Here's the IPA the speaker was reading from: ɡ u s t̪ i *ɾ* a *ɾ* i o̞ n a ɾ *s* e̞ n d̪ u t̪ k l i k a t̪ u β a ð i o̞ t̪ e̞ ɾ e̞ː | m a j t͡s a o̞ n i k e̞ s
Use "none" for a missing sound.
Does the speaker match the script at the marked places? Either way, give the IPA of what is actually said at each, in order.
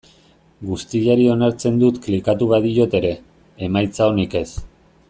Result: ʎ, ɾ, t͡s

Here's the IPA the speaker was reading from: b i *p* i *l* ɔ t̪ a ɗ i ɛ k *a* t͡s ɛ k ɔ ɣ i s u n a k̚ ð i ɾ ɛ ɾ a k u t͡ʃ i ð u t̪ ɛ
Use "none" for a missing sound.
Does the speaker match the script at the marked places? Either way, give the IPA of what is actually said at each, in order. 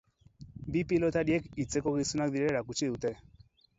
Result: p, l, i

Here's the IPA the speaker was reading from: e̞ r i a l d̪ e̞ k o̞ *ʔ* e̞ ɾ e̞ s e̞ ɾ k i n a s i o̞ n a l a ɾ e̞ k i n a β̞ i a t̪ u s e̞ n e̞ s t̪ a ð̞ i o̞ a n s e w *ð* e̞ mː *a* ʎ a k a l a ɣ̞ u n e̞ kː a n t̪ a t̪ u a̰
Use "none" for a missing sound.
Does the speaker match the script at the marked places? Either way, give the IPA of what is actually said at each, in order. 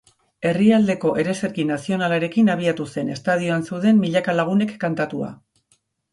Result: ʔ, ð, i

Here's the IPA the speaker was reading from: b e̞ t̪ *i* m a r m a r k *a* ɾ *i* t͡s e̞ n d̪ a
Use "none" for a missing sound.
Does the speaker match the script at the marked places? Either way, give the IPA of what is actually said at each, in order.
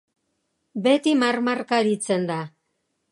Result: i, a, i

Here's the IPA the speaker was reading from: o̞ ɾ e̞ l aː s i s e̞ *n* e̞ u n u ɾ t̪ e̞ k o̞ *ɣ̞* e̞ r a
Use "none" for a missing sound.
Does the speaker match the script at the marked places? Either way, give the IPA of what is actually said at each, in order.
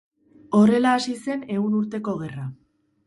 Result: n, ɣ̞

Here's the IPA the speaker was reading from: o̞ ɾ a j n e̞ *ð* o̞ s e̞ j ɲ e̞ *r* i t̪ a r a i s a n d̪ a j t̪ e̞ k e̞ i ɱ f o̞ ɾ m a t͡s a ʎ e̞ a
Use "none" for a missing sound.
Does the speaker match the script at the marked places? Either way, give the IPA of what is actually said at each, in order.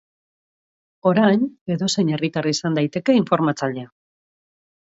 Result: ð, r

